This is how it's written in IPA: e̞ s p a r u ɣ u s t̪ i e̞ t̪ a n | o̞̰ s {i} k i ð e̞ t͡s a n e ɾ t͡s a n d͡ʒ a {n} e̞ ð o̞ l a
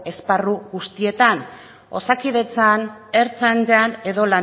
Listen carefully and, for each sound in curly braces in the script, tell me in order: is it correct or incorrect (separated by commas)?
incorrect, correct